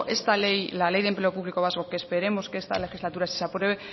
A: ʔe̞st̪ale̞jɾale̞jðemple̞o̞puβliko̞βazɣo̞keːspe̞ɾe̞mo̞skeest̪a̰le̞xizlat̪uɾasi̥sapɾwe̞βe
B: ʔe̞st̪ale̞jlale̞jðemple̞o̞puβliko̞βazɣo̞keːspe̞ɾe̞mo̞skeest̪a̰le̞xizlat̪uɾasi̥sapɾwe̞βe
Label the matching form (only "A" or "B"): B